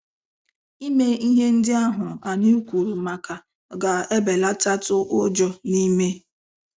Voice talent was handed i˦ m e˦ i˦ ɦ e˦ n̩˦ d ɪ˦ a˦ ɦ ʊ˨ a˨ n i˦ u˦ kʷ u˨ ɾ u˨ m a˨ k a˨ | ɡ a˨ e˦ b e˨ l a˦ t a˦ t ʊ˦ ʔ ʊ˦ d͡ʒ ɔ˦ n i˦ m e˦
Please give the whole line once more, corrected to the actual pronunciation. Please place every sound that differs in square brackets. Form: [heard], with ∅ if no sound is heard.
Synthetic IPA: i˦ m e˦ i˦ ɦ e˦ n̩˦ d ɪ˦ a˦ ɦ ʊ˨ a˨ n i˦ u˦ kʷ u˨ ɾ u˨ m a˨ k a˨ | ɡ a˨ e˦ b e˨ l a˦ t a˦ t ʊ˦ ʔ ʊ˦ d͡ʒ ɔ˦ n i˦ m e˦